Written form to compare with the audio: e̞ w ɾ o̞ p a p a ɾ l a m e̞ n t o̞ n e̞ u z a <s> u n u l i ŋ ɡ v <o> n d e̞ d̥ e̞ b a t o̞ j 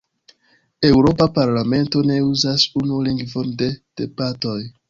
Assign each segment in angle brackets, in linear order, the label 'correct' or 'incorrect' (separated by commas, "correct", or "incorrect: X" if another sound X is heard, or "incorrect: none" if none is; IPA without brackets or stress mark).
correct, correct